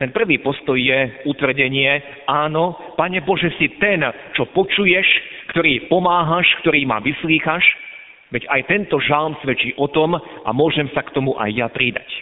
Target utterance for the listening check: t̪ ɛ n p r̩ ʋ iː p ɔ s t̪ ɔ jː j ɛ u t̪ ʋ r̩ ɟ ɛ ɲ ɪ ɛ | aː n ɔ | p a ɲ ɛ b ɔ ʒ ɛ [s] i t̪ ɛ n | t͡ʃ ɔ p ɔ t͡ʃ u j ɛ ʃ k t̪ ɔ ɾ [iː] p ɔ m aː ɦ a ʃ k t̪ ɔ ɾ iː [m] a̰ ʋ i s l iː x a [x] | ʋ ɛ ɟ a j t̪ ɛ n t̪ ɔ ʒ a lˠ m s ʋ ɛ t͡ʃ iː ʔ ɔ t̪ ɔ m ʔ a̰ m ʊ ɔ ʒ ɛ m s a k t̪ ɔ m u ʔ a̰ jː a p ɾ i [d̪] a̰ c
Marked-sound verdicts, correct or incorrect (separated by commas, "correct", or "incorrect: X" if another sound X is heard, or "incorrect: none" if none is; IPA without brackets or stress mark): correct, correct, correct, incorrect: ʃ, correct